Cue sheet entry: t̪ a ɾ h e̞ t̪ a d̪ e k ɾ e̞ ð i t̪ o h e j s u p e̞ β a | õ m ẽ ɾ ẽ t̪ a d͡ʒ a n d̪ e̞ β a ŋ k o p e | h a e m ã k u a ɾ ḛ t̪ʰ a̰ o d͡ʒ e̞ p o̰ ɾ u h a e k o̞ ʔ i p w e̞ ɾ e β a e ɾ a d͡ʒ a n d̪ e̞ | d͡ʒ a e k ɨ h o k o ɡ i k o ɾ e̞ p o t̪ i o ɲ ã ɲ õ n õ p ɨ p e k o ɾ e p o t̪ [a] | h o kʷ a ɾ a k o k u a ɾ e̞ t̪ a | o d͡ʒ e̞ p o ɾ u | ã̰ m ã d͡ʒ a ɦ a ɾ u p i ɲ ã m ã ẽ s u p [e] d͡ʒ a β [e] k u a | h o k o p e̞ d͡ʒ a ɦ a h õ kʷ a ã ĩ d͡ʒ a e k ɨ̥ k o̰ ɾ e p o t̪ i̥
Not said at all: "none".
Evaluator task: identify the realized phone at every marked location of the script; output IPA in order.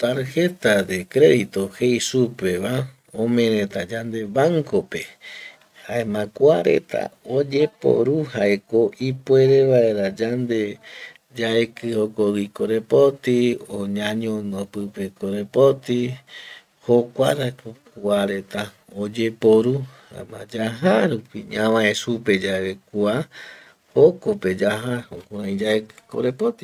i, e, e

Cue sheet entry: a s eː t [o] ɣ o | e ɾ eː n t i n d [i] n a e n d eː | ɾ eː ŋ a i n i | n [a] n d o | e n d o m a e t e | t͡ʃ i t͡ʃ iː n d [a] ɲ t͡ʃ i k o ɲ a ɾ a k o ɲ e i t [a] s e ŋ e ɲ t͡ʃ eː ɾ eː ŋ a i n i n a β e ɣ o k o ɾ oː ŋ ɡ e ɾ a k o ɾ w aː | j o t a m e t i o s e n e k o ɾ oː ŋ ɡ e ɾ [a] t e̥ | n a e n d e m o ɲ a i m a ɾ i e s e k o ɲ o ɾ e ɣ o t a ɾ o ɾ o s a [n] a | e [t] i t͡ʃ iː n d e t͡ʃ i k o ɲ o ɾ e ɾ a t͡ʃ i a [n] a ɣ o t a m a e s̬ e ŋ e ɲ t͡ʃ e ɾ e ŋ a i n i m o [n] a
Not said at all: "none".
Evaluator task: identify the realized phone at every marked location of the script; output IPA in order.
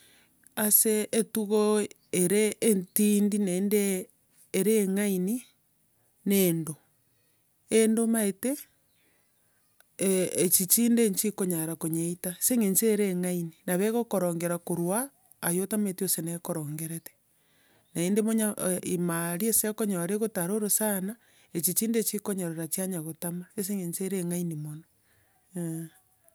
u, i, e, e, a, e, n, t͡ʃ, ɲ, n

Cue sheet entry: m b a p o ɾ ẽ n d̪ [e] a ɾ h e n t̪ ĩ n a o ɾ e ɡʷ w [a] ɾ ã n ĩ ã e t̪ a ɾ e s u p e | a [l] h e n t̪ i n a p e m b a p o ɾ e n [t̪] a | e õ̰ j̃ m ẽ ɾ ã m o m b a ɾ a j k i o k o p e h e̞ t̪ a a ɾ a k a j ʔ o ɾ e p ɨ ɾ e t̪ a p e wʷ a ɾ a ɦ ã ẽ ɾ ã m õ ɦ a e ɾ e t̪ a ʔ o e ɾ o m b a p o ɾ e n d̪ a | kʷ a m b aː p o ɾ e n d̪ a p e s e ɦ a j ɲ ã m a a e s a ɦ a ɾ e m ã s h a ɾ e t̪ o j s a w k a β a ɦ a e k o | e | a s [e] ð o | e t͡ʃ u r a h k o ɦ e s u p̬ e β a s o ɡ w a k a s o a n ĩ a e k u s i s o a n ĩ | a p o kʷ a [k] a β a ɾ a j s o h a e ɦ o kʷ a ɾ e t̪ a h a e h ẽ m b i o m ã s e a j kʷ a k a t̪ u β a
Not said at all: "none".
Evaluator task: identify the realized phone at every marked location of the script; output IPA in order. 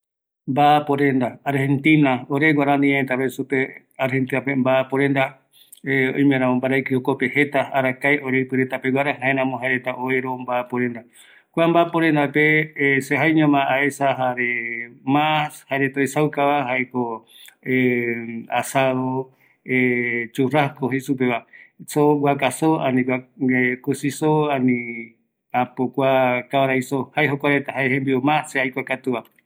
a, a, ɾ, d̪, a, k

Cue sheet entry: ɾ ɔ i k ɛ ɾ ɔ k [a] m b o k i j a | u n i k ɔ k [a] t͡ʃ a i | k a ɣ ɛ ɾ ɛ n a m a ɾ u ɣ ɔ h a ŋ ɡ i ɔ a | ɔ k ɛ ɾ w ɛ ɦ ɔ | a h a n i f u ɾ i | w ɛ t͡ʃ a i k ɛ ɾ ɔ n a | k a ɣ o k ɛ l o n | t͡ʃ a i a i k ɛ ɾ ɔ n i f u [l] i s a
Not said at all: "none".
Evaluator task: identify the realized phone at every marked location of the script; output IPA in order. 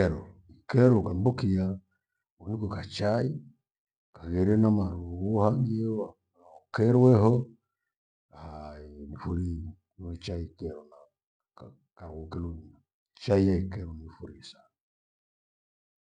a, a, ɾ

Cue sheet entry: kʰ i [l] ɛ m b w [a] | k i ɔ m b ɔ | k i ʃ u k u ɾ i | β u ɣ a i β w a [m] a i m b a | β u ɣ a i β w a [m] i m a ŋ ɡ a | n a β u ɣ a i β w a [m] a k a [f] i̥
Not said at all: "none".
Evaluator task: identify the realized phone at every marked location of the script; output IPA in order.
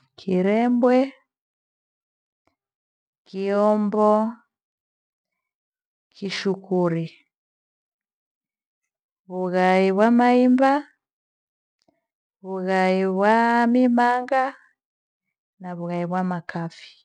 ɾ, ɛ, m, m, m, f

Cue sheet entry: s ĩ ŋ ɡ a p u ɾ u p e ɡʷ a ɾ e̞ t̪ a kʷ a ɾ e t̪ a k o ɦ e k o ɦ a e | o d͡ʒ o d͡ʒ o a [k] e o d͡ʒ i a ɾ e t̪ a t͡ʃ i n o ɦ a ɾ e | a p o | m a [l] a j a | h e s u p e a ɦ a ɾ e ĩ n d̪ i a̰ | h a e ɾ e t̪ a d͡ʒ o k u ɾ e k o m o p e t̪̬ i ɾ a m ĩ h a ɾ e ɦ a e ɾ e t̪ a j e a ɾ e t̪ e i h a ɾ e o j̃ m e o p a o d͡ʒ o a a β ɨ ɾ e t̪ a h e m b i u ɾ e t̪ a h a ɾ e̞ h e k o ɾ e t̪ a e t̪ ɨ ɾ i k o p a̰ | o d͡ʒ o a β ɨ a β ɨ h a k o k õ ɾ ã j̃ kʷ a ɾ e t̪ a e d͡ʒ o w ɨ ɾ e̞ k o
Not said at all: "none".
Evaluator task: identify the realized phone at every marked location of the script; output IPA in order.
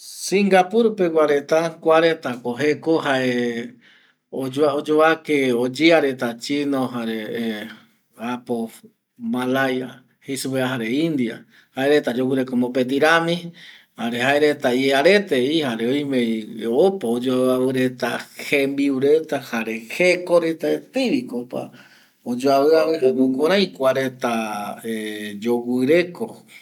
k, l

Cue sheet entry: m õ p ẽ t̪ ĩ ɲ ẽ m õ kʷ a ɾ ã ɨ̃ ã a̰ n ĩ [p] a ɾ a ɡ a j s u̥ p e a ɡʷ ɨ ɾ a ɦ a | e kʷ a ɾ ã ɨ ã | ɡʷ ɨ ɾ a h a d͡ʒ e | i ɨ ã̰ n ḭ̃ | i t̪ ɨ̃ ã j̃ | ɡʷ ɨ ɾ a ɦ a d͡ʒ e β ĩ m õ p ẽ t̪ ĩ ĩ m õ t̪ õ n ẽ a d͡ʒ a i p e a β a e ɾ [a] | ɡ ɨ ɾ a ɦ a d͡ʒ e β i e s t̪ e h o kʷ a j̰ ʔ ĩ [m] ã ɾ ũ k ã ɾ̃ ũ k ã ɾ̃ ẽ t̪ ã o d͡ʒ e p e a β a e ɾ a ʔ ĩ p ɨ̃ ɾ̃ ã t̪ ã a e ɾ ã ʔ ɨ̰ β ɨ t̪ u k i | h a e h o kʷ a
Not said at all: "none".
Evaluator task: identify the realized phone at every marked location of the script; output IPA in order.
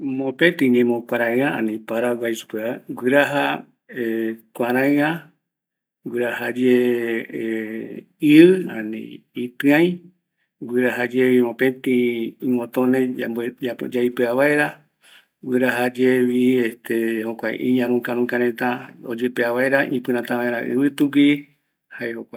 p, a, ɲ

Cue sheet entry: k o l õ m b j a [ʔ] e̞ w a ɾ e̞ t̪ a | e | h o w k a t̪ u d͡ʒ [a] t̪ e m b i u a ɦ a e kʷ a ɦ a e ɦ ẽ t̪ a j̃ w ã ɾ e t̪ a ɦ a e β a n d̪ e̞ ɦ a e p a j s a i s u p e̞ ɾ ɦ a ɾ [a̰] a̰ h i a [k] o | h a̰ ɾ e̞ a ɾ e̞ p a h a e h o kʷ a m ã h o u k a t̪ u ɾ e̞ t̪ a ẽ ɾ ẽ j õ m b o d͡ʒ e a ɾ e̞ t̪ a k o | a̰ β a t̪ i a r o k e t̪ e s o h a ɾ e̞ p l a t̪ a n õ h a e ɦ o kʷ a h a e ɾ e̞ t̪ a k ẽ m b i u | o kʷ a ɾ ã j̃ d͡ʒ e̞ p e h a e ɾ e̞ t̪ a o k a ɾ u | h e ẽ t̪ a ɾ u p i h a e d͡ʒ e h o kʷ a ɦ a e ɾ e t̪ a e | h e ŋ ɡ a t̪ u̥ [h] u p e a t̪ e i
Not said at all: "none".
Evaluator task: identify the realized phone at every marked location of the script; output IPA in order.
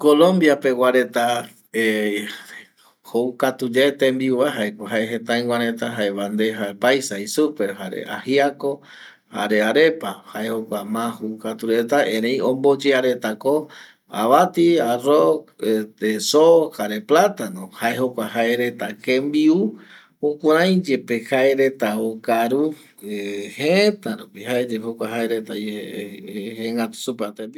p, e, ḛ, k, s

